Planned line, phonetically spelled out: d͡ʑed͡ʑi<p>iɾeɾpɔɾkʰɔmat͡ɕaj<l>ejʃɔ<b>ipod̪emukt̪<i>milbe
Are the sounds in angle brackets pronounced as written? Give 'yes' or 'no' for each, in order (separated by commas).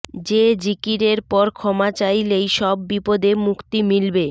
no, yes, no, yes